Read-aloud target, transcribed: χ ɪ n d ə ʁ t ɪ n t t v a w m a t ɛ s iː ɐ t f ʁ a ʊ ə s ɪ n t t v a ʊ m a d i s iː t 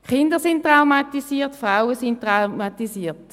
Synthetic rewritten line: χ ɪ n d ə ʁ s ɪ n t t ʁ a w m a t i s iː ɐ t f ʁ a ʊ ə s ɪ n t t ʁ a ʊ m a t i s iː t